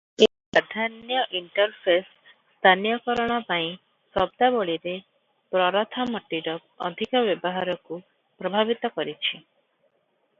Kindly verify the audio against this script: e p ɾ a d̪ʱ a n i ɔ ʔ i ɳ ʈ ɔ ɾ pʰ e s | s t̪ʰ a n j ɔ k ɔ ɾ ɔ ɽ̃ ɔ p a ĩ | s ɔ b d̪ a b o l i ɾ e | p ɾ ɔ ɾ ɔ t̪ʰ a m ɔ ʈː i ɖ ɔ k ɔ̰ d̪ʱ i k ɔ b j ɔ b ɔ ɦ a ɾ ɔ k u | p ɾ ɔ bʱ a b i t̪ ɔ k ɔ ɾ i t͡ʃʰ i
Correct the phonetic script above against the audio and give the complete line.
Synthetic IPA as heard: e p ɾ a d̪ʱ a n j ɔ ʔ i ɳ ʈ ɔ ɾ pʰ e s | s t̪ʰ a n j ɔ k ɔ ɾ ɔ ɽ̃ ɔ p a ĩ | s ɔ b d̪ a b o ɭ i ɾ e | p ɾ ɔ ɾ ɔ t̪ʰ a m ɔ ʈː i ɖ ɔ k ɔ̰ d̪ʱ i k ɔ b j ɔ b ɔ ɦ a ɾ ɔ k u | p ɾ ɔ bʱ a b i t̪ ɔ k ɔ ɾ i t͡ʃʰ i